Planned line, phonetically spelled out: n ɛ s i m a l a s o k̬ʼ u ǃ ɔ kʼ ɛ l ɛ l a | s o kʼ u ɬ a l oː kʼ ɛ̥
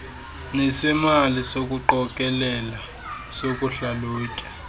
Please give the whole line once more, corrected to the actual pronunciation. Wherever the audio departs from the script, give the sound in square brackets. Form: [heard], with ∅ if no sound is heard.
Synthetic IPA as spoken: n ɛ s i m a l [i] s o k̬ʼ u ǃ ɔ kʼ ɛ l ɛ l a | s o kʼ u ɬ a l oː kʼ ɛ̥